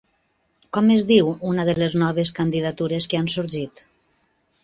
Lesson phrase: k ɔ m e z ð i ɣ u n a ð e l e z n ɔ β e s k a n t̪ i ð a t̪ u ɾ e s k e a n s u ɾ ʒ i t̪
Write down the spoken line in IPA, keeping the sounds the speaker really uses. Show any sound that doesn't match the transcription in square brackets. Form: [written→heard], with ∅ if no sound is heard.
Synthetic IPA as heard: k ɔ m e z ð i [ɣ→w] u n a ð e l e z n ɔ β e s k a n [t̪→d̪] i ð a t̪ u ɾ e s k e a n s u ɾ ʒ i t̪